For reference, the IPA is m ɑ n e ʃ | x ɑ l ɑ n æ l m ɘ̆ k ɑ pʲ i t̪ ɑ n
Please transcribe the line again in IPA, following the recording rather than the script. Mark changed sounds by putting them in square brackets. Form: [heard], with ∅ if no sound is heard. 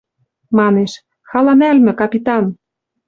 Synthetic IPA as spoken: m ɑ n e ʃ | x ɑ l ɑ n æ l m ɘ̆ k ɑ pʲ i t̪ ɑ n